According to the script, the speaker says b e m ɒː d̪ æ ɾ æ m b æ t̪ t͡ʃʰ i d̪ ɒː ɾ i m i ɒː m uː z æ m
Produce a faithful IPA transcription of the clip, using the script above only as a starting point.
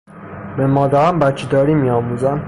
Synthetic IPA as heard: b e m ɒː d̪ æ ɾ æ m b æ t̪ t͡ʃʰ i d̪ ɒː ɾ i m i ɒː m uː z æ m